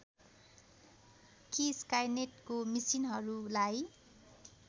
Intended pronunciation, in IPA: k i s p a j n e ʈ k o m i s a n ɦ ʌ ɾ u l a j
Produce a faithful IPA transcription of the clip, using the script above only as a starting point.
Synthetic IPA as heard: k i s k a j n e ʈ k o m i s i n ɦ ʌ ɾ u l a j